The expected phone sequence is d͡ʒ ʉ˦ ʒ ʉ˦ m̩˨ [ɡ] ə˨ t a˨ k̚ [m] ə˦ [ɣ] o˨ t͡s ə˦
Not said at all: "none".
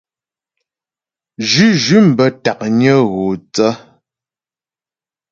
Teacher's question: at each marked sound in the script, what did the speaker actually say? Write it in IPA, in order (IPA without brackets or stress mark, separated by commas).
b, ɲ, ɣ